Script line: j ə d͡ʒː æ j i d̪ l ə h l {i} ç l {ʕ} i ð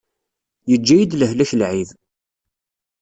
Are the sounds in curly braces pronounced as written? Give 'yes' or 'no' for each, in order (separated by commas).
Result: no, yes